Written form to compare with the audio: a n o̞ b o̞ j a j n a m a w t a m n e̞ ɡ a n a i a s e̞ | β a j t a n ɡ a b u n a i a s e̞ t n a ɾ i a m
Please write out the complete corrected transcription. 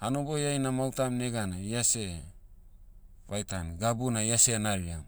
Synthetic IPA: a n o̞ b o̞ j a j n a m a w t a m n e̞ ɡ a n a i a s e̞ | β a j t a n ɡ a b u n a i a s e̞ n a ɾ i a m